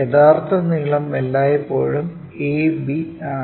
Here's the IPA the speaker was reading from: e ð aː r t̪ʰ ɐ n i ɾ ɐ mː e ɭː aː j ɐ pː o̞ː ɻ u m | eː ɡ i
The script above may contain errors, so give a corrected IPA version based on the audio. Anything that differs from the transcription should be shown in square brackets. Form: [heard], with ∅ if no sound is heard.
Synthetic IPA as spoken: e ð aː r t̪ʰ ɐ n i [ɭ] ɐ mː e [lː] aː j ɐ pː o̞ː ɻ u m | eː [b] i